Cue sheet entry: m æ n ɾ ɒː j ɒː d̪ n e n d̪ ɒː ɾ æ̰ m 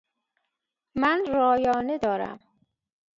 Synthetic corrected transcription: m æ n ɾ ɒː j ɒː n e d̪ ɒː ɾ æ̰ m